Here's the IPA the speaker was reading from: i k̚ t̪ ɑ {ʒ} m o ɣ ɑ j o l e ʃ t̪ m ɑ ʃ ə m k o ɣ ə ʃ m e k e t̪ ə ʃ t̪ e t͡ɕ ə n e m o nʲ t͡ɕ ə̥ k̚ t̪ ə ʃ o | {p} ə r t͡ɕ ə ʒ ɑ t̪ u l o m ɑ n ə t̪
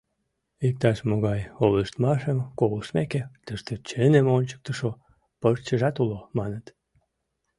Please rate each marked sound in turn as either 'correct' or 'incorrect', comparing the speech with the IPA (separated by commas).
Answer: incorrect, correct